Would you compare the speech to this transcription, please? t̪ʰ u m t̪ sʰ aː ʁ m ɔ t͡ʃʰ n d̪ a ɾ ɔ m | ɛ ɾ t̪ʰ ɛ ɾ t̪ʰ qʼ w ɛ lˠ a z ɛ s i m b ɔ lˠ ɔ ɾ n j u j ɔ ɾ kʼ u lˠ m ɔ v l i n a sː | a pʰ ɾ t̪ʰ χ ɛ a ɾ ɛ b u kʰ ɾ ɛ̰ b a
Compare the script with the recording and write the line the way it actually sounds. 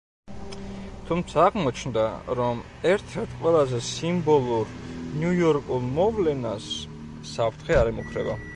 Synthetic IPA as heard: t̪ʰ u m t̪ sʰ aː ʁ m ɔ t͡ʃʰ n d̪ a ɾ ɔ m | ɛ ɾ t̪ʰ ɛ ɾ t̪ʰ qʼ w ɛ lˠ a z ɛ s i m b ɔ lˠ u ɾ n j u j ɔ ɾ kʼ u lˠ m ɔ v l ɛ n a sː | a pʰ ɾ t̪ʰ χ ɛ a ɾ ɛ m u kʰ ɾ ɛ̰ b a

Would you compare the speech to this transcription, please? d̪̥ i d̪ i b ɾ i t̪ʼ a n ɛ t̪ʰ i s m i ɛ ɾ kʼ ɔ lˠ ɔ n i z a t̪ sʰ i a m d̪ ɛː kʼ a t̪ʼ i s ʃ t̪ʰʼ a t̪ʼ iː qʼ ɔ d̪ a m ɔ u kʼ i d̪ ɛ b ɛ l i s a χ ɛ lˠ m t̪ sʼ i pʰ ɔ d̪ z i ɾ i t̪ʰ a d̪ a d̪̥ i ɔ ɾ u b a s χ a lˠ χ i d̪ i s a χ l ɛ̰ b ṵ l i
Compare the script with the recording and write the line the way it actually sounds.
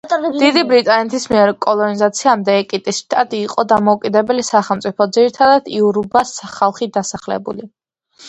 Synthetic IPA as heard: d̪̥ i d̪ i b ɾ i t̪ʼ a n ɛ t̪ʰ i s m i ɛ ɾ kʼ ɔ lˠ ɔ n i z a t̪ sʰ i a m d̪ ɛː kʼ i t̪ʼ i s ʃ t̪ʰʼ a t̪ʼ iː qʼ ɔ d̪ a m ɔ u kʼ i d̪ ɛ b ɛ l i s a χ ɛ lˠ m t̪ sʼ i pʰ ɔ d̪ z i ɾ i t̪ʰ a d̪ a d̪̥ i u ɾ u b a s χ a lˠ χ i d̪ a s a χ l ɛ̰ b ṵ l i

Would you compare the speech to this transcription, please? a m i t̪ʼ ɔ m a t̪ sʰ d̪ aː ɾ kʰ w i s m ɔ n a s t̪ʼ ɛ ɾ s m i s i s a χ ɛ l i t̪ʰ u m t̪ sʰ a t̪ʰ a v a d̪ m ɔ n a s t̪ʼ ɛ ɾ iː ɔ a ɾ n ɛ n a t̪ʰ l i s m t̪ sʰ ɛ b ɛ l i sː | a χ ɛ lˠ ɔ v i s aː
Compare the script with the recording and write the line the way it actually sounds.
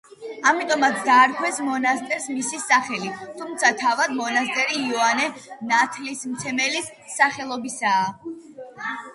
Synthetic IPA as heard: a m i t̪ʼ ɔ m a t̪ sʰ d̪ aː ɾ kʰ w ɛ s m ɔ n a s t̪ʼ ɛ ɾ s m i s i s a χ ɛ l i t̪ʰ u m t̪ sʰ a t̪ʰ a v a d̪ m ɔ n a s t̪ʼ ɛ ɾ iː ɔ a n ɛ n a t̪ʰ l i s m t̪ sʰ ɛ m ɛ l i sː | a χ ɛ lˠ ɔ b i s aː

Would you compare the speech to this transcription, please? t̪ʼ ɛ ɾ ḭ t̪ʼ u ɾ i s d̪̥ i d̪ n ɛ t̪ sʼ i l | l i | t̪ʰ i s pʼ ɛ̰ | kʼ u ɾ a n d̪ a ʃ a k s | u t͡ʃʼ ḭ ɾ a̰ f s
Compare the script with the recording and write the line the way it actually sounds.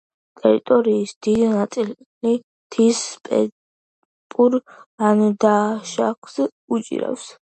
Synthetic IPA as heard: t̪ʼ ɛ ɾ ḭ t̪ʼ ɔ ɾ iː s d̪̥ i d̪ n a t̪ sʼ i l | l i | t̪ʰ i s pʼ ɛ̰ | pʼ u ɾ a n d̪ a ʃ a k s | u t͡ʃʼ ḭ ɾ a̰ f s

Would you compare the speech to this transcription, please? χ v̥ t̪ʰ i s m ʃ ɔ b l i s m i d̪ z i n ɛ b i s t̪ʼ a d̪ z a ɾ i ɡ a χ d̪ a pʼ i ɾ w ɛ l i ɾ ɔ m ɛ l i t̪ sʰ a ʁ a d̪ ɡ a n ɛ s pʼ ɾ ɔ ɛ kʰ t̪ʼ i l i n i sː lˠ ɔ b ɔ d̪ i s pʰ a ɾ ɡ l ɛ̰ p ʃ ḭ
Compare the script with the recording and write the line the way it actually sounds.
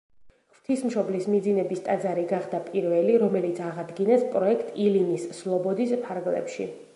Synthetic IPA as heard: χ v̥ t̪ʰ i s m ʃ ɔ b l i s m i d̪ z i n ɛ b i s t̪ʼ a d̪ z a ɾ i ɡ a χ d̪ a pʼ i ɾ v ɛ l i ɾ ɔ m ɛ l i t̪ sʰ a ʁ a d̪ ɡ i n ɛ s pʼ ɾ ɔ ɛ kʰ t̪ʼ i l i n i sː lˠ ɔ b ɔ d̪ i s pʰ a ɾ ɡ l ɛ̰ p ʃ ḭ

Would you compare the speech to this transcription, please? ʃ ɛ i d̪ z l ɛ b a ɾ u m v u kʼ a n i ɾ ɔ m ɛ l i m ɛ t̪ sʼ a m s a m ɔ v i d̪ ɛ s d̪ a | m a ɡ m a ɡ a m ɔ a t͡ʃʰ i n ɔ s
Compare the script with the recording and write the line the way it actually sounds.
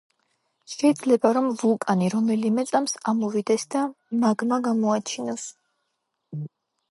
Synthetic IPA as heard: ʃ ɛ i d̪ z l ɛ b a ɾ ɔ m v u kʼ a n i ɾ ɔ m ɛ l i m ɛ t̪ sʼ a m s a m ɔ v i d̪ ɛ s d̪ a | m a ɡ m a ɡ a m ɔ a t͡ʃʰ i n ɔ s

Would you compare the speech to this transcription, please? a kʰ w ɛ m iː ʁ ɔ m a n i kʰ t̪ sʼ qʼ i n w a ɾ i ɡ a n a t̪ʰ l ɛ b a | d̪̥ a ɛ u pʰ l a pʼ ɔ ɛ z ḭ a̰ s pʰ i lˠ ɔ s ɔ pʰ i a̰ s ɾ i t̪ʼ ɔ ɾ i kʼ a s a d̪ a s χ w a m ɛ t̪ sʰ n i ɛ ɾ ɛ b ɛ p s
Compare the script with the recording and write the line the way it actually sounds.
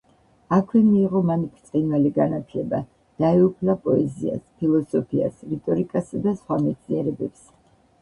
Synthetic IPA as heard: a kʰ w ɛ m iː ʁ ɔ m a n i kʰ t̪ sʼ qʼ i n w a l i ɡ a n a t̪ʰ l ɛ b a | d̪̥ a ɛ u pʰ l a pʼ ɔ ɛ z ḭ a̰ s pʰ i lˠ ɔ s ɔ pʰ i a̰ s ɾ i t̪ʼ ɔ ɾ i kʼ a s a d̪ a s χ w a m ɛ t̪ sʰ n i ɛ ɾ ɛ b ɛ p s

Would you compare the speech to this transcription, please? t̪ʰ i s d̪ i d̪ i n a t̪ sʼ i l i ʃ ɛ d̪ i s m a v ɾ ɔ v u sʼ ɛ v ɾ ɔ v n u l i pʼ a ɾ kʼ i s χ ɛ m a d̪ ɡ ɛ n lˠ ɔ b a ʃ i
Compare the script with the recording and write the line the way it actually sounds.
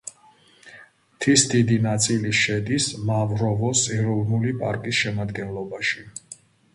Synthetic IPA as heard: t̪ʰ i s d̪ i d̪ i n a t̪ sʼ i l i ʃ ɛ d̪ i s m a v ɾ ɔ v ɔ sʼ ɛ ɾ ɔ v n u l i pʼ a ɾ kʼ i s ʃ ɛ m a d̪ ɡ ɛ n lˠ ɔ b a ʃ i

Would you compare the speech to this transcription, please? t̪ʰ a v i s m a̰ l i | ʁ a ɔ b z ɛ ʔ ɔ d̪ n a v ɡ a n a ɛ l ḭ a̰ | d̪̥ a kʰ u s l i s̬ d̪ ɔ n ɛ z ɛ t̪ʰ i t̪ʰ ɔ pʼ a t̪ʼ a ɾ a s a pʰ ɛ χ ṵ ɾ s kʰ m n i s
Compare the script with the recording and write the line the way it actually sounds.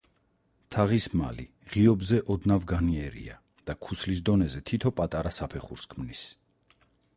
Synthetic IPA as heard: t̪ʰ a ʁ i s m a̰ l i | ʁ i ɔ b z ɛ ʔ ɔ d̪ n a v ɡ a n i ɛ ɾ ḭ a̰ | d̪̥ a kʰ u s l i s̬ d̪ ɔ n ɛ z ɛ t̪ʰ i t̪ʰ ɔ pʼ a t̪ʼ a ɾ a s a pʰ ɛ χ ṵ ɾ s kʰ m n i s

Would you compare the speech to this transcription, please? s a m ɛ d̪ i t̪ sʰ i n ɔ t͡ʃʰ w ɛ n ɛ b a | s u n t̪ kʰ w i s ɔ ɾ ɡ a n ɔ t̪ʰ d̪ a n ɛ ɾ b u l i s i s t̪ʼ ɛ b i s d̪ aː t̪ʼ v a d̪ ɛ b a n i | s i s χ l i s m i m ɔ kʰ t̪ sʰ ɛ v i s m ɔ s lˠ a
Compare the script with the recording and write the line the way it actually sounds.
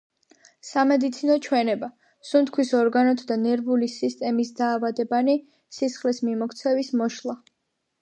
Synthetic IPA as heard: s a m ɛ d̪ i t̪ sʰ i n ɔ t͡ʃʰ w ɛ n ɛ b a | s u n t̪ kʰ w i s ɔ ɾ ɡ a n ɔ t̪ʰ d̪ a n ɛ ɾ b u l i s i s t̪ʼ ɛ m i s d̪ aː v a d̪ ɛ b a n i | s i s χ l i s m i m ɔ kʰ t̪ sʰ ɛ v i s m ɔ ʃ lˠ a

